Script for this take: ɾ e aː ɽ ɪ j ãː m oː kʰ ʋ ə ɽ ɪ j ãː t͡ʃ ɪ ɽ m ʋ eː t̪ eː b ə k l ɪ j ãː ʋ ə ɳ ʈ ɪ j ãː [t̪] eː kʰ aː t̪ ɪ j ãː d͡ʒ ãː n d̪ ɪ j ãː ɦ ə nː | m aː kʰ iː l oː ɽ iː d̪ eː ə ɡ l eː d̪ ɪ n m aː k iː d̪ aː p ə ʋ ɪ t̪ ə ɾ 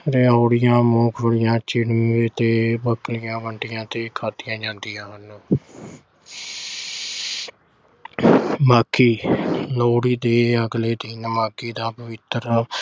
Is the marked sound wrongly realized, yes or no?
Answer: no